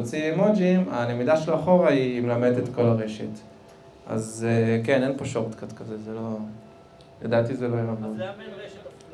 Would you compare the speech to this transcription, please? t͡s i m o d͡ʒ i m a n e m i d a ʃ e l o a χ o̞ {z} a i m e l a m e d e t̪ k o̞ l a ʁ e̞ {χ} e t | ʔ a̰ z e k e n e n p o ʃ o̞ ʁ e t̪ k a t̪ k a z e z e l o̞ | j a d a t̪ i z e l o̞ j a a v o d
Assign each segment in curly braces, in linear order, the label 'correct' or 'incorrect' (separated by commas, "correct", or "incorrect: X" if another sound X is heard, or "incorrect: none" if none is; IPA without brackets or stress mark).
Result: incorrect: ʁ, incorrect: ʃ